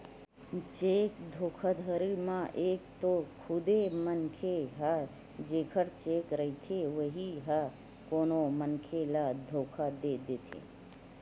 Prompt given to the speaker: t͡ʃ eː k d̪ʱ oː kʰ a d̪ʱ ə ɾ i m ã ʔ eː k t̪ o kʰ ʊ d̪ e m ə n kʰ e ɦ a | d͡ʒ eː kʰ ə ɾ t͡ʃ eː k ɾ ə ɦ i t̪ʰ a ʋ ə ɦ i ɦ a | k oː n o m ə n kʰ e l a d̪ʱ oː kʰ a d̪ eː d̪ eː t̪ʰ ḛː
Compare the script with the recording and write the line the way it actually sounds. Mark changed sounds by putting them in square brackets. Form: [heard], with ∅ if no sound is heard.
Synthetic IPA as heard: t͡ʃ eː k d̪ʱ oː kʰ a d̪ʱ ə ɾ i m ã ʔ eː k t̪ o kʰ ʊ d̪ e m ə n kʰ e ɦ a | d͡ʒ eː kʰ ə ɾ t͡ʃ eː k ɾ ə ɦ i t̪ʰ [e] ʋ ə ɦ i ɦ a | k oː n o m ə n kʰ e l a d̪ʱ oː kʰ a d̪ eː d̪ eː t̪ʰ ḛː